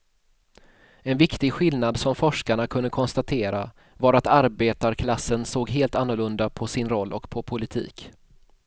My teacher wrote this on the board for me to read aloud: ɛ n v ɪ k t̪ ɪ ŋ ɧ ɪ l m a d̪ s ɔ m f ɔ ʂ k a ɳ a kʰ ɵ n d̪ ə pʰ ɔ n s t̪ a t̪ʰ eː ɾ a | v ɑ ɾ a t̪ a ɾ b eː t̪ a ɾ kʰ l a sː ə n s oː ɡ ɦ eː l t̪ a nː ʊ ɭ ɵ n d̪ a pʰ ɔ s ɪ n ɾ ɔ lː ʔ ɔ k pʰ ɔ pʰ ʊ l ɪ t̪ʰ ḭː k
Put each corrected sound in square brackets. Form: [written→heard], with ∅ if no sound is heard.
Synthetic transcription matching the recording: ɛ n v ɪ k t̪ ɪ [ŋ→ɡ] ɧ ɪ l [m→n] a d̪ s ɔ m f ɔ ʂ k a ɳ a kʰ ɵ n d̪ ə [pʰ→kʰ] ɔ n s t̪ a t̪ʰ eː ɾ a | v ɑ ɾ a t̪ a ɾ b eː t̪ a ɾ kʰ l a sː ə n s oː ɡ ɦ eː l t̪ a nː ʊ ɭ ɵ n d̪ a pʰ ɔ s ɪ n ɾ ɔ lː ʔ ɔ k pʰ ɔ pʰ ʊ l ɪ t̪ʰ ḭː k

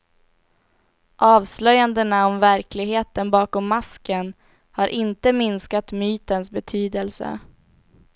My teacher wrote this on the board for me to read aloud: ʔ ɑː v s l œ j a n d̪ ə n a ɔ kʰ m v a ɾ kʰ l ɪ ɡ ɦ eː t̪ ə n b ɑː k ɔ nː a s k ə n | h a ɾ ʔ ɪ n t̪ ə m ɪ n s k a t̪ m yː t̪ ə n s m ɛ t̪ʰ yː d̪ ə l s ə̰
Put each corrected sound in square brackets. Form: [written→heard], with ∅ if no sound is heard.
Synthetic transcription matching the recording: ʔ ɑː v s l œ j a n d̪ ə n a ɔ [kʰ→∅] m v [a→æ] ɾ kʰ l ɪ ɡ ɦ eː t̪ ə n b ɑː k ɔ [nː→mː] a s k ə n | h a ɾ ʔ ɪ n t̪ ə m ɪ n s k a t̪ m yː t̪ ə n s [m→b] ɛ t̪ʰ yː d̪ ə l s ə̰

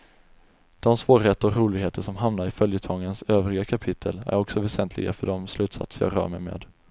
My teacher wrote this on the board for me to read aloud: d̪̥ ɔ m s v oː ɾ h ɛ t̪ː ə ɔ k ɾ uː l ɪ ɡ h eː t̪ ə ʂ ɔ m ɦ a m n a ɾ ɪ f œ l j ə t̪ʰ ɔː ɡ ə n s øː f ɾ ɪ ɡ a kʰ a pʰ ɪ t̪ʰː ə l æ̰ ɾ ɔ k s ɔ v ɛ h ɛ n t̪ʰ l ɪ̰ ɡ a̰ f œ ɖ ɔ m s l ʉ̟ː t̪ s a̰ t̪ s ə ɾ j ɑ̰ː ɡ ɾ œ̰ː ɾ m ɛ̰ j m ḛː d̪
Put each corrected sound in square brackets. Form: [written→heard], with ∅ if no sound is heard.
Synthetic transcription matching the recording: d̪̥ ɔ m s v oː ɾ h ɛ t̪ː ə ɔ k ɾ uː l ɪ ɡ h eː t̪ ə ʂ ɔ m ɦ a m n a ɾ ɪ f œ l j ə t̪ʰ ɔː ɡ ə n s øː [f→v] ɾ ɪ ɡ a kʰ a pʰ ɪ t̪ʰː ə l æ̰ ɾ ɔ k s ɔ v ɛ [h→s] ɛ n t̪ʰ l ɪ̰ ɡ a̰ f œ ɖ ɔ m s l ʉ̟ː t̪ s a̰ t̪ s ə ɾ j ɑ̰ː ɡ ɾ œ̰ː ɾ m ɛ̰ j m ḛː d̪

